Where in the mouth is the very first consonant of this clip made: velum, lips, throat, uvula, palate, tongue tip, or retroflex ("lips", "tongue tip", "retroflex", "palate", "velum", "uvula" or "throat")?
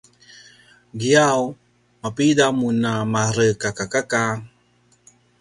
velum